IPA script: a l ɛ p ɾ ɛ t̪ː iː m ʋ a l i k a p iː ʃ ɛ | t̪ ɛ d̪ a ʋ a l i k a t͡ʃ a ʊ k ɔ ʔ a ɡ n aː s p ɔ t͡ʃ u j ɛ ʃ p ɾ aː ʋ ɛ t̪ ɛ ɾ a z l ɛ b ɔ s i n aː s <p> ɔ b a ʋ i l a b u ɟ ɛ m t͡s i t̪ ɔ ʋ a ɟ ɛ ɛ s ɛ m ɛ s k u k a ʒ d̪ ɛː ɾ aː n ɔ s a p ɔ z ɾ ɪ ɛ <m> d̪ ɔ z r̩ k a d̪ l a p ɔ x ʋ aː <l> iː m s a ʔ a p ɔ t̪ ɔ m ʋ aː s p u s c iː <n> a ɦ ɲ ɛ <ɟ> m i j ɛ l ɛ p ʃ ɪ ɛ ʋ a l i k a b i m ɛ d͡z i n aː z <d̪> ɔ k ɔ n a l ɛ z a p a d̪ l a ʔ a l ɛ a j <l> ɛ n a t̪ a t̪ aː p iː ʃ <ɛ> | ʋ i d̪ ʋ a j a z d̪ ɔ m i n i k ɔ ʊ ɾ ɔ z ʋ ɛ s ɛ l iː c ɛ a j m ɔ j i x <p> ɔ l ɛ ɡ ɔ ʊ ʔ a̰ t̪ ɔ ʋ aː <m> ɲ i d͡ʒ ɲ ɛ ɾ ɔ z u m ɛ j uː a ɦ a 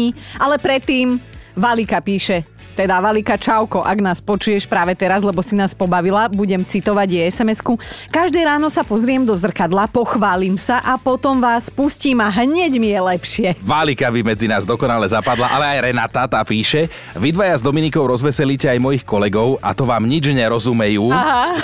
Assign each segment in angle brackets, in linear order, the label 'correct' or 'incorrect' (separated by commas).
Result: correct, correct, correct, incorrect, correct, correct, incorrect, correct, incorrect, correct